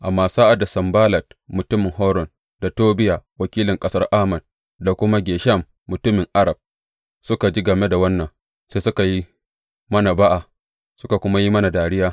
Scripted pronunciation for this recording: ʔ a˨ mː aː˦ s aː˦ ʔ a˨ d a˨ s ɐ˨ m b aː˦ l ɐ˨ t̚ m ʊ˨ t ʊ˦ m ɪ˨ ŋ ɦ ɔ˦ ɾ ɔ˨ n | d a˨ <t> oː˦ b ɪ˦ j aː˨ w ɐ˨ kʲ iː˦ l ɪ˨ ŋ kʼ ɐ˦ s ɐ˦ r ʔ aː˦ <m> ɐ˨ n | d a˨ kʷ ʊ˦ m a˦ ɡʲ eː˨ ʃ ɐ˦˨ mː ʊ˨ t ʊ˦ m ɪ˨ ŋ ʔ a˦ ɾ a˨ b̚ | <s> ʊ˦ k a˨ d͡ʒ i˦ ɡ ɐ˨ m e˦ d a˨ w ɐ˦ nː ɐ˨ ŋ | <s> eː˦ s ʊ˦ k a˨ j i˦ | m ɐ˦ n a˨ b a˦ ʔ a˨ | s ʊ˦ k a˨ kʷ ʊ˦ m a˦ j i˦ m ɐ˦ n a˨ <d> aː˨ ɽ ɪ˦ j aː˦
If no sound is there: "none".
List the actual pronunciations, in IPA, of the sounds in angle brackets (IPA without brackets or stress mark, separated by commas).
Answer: t, m, s, s, d